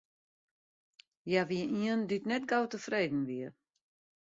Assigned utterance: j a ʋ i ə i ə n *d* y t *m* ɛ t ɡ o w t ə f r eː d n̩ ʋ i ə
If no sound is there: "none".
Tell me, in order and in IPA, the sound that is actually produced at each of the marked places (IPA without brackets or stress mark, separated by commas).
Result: d, n